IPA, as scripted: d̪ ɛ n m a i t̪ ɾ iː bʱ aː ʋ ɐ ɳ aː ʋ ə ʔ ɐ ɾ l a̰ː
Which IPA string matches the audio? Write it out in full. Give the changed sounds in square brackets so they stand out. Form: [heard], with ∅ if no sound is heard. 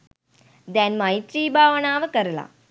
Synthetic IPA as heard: d̪ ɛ n m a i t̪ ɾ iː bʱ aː ʋ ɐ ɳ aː ʋ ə [k] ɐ ɾ l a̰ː